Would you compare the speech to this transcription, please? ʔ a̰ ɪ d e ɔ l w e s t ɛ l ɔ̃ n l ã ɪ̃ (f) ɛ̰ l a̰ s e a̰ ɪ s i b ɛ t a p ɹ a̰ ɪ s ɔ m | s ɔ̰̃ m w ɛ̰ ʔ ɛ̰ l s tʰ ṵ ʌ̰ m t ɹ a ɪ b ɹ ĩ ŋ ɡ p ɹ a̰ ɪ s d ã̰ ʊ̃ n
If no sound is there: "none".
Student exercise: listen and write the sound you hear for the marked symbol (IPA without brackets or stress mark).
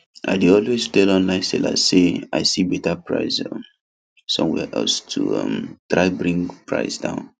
s